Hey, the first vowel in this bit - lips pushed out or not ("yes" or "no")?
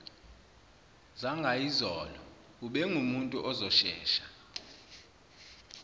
no